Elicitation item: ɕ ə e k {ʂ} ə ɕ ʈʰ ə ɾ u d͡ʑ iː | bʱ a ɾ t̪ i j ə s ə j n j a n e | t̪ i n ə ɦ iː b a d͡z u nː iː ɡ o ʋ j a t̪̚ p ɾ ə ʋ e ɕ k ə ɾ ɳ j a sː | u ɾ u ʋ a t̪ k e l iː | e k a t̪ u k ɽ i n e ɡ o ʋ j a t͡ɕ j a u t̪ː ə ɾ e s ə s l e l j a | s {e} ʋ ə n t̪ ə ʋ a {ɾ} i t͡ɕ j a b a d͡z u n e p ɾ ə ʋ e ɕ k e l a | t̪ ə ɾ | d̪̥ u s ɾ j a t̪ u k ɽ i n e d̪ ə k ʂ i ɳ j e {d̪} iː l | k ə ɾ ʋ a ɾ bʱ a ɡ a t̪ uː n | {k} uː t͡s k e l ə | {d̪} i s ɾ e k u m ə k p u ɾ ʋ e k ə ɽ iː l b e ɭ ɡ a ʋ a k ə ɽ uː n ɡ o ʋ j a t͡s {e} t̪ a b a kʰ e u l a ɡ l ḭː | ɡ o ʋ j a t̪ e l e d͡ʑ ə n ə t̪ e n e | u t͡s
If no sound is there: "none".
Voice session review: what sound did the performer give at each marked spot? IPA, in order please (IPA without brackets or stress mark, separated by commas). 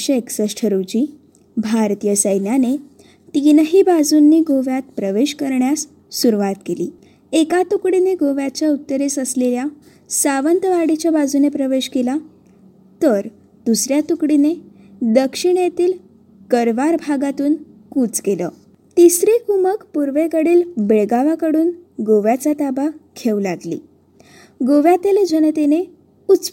s, a, ɽ, t̪, k, t̪, a